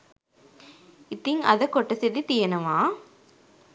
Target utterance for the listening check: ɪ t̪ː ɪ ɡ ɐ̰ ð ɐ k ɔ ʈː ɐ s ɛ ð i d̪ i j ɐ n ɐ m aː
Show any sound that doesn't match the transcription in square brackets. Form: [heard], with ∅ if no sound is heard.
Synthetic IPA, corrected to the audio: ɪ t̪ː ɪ [ŋ] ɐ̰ ð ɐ k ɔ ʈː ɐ s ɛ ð i [t̪] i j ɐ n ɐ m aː